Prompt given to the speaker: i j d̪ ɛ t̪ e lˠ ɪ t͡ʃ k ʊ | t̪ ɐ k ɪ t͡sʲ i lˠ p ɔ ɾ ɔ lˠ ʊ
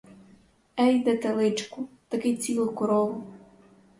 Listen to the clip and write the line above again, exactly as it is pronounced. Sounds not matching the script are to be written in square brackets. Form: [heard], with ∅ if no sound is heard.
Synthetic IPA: [ɛ] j d̪ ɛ t̪ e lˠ ɪ t͡ʃ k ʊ | t̪ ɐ k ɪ t͡sʲ i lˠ [k] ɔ ɾ ɔ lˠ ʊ